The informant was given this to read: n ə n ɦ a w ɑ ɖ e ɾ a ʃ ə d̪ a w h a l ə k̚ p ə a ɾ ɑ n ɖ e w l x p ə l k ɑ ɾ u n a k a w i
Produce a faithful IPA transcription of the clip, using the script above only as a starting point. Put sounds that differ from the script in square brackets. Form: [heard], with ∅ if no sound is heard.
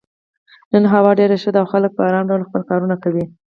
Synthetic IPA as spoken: n ə n ɦ a w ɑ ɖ e ɾ a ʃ ə d̪ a w [x] a l ə k̚ p ə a ɾ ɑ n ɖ [a] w l x p ə l k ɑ ɾ u n a k a w i

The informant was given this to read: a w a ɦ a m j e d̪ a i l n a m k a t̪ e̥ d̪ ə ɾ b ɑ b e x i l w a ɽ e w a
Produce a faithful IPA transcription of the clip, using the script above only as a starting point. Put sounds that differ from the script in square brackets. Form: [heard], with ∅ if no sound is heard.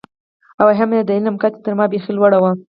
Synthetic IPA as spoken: a w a ɦ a m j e d̪ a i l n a m k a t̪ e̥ [t̪] ə ɾ [m] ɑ b e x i l w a ɽ [a] w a

